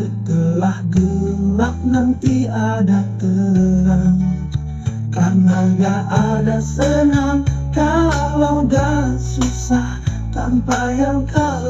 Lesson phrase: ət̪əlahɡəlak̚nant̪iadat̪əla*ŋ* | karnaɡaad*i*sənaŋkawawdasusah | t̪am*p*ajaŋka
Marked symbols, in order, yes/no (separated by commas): yes, no, yes